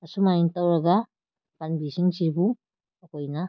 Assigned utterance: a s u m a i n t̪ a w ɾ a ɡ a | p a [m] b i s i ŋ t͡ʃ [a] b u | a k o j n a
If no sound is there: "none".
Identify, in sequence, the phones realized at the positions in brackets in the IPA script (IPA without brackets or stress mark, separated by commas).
n, i